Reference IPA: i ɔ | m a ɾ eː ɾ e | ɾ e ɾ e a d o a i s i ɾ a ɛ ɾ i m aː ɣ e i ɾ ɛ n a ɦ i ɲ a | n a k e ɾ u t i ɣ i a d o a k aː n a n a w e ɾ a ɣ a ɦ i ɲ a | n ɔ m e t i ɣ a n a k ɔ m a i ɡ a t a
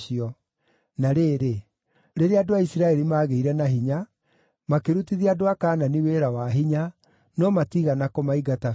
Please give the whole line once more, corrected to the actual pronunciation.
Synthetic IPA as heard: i ɔ | n a ɾ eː ɾ e | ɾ e ɾ e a d o a i s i ɾ a ɛ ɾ i m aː ɣ e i ɾ ɛ n a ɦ i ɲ a | m a k e ɾ u t i ð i a d o a k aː n a n i w e ɾ a w a ɦ i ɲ a | n ɔ m a t i ɣ a n a k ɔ m a i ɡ a t a